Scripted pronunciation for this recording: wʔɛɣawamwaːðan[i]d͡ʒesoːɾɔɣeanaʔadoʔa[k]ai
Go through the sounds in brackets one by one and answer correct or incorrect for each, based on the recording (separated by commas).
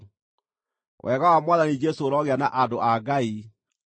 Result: correct, incorrect